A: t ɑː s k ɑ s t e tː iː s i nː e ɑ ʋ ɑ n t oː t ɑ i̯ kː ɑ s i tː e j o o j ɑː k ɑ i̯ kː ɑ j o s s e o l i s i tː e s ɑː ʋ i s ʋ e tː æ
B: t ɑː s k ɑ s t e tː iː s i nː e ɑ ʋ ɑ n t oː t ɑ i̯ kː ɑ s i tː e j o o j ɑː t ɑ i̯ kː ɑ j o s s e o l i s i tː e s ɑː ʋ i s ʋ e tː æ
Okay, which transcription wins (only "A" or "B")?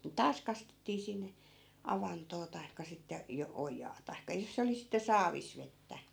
B